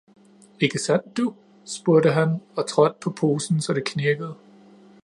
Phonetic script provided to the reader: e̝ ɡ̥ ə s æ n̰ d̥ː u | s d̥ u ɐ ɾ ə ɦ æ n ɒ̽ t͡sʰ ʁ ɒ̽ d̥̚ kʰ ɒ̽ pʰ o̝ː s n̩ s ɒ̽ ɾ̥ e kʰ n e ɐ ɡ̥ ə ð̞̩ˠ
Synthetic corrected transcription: e̝ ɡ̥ ə s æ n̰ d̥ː u | s b̥ u ɐ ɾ ə ɦ æ n ɒ̽ t͡sʰ ʁ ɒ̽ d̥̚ pʰ ɒ̽ pʰ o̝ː s n̩ s ɒ̽ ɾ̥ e kʰ n e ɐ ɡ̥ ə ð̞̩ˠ